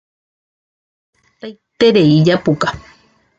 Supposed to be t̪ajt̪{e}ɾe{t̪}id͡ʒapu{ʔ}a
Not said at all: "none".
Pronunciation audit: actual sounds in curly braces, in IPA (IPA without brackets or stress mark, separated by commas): e, none, k